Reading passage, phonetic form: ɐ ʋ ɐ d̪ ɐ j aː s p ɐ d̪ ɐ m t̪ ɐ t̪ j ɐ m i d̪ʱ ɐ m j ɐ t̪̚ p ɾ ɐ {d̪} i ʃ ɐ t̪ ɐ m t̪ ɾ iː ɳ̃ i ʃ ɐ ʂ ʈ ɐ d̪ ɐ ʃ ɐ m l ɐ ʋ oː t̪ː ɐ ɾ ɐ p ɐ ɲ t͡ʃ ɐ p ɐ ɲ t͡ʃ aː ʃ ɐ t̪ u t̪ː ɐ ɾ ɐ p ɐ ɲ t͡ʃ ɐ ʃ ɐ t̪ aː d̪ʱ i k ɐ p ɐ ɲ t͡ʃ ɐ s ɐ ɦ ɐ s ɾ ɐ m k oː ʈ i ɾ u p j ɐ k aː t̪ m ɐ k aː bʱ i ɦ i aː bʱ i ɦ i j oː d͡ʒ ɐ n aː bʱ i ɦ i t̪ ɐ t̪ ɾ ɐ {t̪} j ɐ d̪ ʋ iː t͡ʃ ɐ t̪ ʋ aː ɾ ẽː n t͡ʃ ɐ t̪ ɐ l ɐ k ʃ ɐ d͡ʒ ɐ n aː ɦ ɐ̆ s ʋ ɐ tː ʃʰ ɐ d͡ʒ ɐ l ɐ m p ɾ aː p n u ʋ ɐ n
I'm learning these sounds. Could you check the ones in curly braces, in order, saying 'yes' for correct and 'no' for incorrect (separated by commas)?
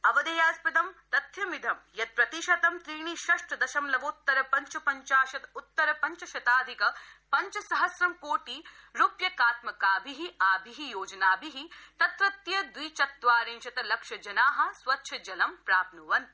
no, yes